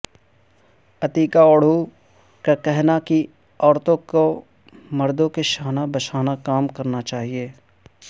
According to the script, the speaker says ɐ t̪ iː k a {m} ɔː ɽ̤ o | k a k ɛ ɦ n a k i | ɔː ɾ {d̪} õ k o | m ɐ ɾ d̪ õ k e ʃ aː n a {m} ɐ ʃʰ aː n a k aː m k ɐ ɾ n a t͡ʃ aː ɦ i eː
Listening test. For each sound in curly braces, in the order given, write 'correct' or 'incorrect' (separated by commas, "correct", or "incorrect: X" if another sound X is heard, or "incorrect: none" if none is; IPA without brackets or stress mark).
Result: incorrect: none, incorrect: t̪, incorrect: b